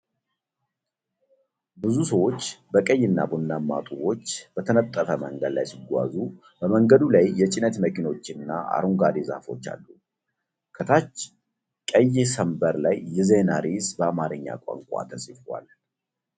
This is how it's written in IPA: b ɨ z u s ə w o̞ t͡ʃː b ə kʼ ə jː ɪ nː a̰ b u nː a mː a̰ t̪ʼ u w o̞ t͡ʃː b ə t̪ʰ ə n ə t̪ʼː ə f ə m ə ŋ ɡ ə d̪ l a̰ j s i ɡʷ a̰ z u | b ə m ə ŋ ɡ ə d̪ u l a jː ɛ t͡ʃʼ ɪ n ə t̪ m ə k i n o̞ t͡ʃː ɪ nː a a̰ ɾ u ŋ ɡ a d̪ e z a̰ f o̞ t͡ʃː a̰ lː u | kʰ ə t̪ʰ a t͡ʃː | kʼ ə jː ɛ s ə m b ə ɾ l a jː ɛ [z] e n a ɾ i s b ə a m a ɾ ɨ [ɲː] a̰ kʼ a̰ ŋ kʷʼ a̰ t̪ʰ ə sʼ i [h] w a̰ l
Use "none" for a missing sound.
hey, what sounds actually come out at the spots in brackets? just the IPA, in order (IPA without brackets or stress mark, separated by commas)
z, ɲː, f